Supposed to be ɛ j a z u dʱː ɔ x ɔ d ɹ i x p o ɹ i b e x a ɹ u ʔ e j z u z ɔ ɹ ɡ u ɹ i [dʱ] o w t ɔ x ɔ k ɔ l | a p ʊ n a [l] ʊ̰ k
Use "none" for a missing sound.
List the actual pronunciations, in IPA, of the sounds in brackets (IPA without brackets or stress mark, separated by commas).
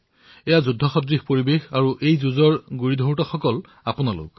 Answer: dʱ, l